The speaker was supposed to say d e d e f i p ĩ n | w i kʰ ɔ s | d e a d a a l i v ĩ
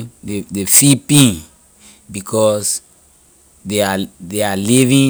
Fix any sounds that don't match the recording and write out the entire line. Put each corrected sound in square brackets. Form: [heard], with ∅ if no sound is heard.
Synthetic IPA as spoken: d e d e f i p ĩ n | [b] i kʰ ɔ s | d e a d [e] a l i v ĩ